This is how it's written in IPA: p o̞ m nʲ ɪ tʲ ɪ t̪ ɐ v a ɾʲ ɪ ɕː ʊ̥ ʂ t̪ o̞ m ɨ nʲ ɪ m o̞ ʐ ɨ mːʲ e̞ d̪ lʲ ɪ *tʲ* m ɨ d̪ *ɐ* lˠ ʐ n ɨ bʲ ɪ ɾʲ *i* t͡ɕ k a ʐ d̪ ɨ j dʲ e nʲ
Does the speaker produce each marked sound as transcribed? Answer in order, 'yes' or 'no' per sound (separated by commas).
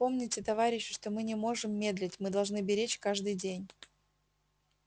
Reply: yes, yes, no